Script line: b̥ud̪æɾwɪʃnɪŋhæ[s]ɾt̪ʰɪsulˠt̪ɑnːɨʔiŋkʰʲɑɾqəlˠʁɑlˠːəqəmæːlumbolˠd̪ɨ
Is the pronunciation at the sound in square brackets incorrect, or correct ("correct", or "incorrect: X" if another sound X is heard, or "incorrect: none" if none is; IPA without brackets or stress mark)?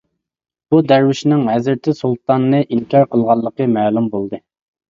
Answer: incorrect: z